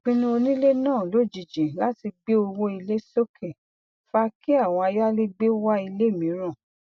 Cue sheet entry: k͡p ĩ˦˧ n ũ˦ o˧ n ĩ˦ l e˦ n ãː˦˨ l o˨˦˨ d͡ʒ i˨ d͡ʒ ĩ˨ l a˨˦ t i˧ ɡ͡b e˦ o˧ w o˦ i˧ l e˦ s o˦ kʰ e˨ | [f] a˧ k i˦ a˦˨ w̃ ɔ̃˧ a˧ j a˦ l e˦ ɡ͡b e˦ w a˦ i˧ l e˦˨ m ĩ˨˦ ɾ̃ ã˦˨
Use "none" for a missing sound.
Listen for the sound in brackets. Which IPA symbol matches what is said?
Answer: f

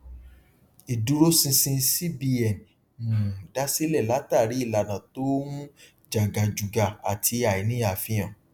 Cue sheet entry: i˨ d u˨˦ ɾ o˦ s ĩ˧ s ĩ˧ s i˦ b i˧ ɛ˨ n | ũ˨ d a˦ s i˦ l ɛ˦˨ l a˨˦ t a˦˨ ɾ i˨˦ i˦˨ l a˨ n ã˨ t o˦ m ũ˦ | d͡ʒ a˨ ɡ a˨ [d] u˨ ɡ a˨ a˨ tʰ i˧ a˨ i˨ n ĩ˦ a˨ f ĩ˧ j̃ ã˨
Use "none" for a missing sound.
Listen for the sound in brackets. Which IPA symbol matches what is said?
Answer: d͡ʒ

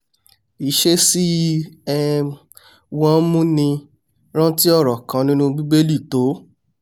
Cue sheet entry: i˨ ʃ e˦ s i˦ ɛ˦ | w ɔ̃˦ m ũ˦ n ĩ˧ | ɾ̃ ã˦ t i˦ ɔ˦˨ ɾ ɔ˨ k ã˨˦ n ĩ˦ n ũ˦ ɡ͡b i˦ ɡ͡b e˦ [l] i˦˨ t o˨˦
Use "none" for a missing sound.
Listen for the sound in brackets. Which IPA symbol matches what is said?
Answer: l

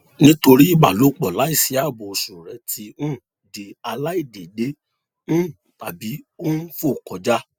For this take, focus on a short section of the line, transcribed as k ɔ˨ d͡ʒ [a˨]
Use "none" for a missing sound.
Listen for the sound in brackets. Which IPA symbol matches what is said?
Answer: a˦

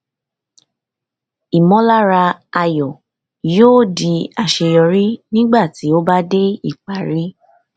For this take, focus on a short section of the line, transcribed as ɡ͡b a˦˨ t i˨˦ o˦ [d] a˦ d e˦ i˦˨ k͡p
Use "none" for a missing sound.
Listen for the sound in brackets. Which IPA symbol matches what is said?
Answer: b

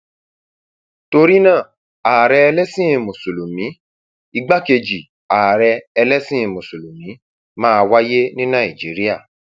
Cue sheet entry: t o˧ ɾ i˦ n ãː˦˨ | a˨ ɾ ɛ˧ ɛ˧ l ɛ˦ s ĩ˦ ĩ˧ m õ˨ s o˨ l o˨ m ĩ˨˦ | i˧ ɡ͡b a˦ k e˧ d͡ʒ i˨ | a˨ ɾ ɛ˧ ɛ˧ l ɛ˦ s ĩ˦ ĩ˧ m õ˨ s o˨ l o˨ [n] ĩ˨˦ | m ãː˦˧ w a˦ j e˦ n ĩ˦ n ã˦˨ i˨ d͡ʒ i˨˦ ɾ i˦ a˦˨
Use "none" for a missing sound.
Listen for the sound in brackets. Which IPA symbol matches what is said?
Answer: m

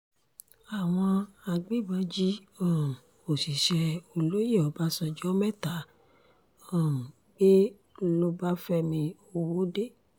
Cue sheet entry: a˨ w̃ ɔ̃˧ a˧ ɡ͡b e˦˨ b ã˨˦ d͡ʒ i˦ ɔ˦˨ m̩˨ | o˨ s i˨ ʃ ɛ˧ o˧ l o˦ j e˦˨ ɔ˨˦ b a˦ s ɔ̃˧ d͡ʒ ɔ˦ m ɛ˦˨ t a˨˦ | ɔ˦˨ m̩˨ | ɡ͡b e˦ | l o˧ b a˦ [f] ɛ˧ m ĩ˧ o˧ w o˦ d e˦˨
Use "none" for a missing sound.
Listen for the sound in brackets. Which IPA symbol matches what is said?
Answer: f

